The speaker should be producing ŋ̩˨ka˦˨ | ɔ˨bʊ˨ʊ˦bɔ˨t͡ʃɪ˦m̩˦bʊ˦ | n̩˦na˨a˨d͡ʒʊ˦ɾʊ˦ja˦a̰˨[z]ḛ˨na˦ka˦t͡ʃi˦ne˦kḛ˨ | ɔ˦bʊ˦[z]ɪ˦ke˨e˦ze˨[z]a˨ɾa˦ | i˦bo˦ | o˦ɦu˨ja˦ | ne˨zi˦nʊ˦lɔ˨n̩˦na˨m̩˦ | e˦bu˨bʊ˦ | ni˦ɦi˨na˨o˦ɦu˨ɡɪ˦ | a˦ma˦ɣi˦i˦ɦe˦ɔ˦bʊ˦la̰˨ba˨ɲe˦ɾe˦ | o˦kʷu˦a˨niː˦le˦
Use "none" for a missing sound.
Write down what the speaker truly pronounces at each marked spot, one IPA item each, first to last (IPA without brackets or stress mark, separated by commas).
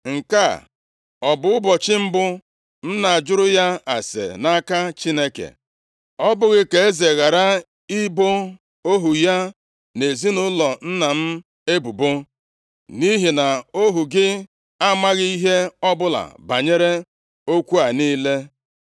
s, ɣ, ɣ